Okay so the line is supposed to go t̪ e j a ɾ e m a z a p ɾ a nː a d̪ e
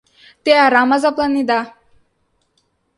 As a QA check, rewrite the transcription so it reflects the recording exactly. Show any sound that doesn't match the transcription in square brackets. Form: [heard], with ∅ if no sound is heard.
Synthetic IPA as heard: t̪ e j a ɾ [a] m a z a p [l] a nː [i] d̪ [a]